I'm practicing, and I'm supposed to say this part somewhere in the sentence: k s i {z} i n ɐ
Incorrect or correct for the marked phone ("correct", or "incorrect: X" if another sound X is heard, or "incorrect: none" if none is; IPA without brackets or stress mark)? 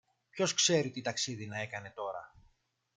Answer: incorrect: ð